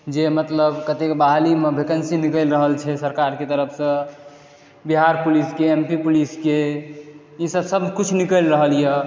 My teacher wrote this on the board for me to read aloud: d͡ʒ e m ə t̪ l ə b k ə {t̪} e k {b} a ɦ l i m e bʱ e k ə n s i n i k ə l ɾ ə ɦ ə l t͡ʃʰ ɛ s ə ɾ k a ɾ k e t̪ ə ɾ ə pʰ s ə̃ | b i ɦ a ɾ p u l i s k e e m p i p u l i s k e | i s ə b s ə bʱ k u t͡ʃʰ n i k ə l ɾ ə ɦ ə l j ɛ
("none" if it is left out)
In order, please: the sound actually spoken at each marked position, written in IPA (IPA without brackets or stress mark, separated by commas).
t̪, b